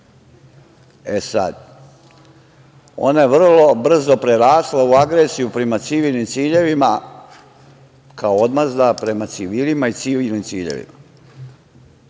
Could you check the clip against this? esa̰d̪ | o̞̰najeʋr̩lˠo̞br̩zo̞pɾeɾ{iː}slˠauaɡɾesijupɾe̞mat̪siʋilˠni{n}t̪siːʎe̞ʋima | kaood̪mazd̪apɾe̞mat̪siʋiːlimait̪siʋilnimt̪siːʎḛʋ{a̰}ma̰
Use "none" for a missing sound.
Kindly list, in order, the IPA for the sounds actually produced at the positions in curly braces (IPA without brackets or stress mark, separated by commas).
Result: aː, m, ḭ